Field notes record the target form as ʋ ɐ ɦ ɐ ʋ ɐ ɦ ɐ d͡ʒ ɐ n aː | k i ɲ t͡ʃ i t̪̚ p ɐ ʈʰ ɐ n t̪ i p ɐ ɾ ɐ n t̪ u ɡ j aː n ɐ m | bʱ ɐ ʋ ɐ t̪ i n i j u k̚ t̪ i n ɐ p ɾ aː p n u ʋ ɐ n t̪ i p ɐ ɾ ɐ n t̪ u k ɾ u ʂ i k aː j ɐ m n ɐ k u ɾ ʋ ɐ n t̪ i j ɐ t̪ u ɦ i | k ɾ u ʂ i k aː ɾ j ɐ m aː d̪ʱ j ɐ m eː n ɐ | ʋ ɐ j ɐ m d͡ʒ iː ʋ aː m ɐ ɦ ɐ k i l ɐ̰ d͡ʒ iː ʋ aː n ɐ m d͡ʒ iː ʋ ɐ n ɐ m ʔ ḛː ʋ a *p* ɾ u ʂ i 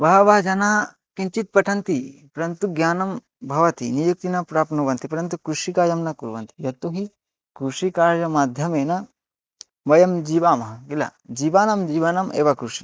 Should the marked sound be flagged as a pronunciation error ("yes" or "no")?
yes